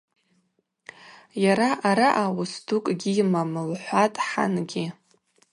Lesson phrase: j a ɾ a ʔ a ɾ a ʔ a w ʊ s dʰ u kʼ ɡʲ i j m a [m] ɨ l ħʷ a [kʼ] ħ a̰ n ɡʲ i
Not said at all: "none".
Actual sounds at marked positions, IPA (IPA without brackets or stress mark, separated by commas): m, tʼ